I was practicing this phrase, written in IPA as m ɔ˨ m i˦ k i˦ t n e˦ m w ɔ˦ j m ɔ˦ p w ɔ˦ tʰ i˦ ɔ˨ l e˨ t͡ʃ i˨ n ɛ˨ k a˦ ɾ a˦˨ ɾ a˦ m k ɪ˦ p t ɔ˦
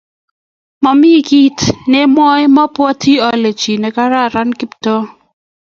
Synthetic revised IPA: m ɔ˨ m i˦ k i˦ t n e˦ m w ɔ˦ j m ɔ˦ p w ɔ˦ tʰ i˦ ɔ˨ l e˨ t͡ʃ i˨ n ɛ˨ k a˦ ɾ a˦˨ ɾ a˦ n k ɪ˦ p t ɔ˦